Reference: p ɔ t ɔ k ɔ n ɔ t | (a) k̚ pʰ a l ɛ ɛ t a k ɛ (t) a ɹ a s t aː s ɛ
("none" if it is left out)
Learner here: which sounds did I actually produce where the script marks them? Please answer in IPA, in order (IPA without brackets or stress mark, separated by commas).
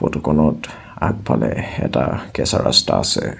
a, s